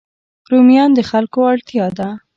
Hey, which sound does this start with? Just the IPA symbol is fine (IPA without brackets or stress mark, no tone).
ɾ